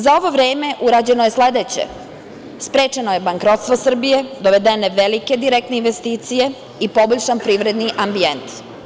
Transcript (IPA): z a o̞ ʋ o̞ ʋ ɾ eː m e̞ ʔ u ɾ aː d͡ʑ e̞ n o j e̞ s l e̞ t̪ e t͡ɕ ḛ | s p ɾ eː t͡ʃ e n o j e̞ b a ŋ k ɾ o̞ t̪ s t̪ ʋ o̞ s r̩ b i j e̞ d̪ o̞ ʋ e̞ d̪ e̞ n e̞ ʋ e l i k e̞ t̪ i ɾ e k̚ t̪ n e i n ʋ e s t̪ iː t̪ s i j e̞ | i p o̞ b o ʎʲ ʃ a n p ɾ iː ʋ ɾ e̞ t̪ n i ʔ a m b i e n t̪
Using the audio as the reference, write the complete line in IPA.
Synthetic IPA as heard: z a o̞ ʋ o̞ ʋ ɾ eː m e̞ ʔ u ɾ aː d͡ʑ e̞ n o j e̞ s l e̞ d̪ e t͡ɕ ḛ | s p ɾ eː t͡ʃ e n o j e̞ b a ŋ k ɾ o̞ t̪ s t̪ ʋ o̞ s r̩ b i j e̞ d̪ o̞ ʋ e̞ d̪ e̞ n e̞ ʋ e l i k e̞ d̪ i ɾ e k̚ t̪ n e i n ʋ e s t̪ iː t̪ s i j e̞ | i p o̞ b o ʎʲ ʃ a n p ɾ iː ʋ ɾ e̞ d̪ n i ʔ a m b i e n t̪